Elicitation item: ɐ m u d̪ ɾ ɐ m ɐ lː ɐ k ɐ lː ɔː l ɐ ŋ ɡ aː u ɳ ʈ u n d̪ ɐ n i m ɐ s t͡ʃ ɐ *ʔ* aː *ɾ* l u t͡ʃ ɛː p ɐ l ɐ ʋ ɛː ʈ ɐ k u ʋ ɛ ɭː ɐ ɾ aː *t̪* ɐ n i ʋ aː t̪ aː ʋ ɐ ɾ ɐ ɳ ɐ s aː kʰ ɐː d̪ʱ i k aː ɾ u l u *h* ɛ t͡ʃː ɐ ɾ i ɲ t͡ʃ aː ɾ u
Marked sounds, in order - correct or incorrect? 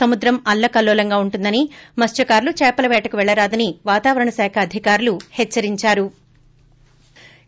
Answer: incorrect, correct, incorrect, correct

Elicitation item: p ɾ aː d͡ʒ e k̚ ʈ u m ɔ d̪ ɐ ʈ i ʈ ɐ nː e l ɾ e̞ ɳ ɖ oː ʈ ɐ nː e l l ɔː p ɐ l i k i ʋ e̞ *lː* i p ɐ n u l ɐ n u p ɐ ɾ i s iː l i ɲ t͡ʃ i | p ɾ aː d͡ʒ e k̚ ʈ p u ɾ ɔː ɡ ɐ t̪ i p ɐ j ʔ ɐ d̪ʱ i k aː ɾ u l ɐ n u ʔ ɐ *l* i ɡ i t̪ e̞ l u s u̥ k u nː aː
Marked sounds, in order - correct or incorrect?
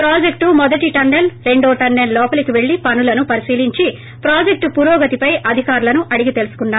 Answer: incorrect, incorrect

